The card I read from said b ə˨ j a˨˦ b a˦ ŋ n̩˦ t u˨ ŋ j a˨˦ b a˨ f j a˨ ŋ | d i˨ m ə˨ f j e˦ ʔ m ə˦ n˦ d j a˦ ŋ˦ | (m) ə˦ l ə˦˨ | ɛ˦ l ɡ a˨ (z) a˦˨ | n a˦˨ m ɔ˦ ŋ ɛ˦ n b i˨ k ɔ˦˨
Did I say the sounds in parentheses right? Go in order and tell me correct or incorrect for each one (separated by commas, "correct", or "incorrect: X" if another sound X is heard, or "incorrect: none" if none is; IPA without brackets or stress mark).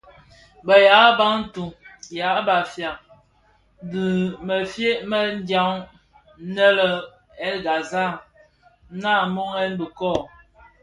incorrect: n, correct